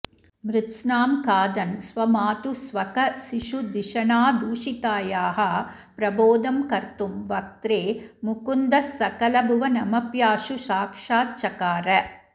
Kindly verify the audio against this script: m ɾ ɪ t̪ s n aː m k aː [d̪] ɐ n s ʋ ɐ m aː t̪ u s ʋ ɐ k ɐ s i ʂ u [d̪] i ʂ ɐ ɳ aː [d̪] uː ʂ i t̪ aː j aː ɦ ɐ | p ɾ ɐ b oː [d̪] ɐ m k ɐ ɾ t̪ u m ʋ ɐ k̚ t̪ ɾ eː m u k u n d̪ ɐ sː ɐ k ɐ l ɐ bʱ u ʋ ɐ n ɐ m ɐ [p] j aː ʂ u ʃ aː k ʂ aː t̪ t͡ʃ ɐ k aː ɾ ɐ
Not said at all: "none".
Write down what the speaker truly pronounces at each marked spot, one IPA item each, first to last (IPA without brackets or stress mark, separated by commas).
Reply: d̪, d̪, d̪, d̪, p